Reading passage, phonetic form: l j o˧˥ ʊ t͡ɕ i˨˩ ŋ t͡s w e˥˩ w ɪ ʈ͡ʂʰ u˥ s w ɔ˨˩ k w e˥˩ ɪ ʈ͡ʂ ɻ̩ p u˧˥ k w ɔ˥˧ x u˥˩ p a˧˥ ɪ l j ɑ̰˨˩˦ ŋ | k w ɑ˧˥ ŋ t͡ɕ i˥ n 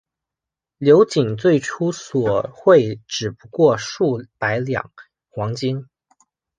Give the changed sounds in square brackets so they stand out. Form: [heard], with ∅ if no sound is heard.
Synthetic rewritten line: l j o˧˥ ʊ t͡ɕ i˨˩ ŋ t͡s w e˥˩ [∅] ɪ ʈ͡ʂʰ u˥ s w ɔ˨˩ [x] w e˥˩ ɪ ʈ͡ʂ ɻ̩ p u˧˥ k w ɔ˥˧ [ʂ] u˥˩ p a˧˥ ɪ l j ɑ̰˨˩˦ ŋ | [x] w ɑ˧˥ ŋ t͡ɕ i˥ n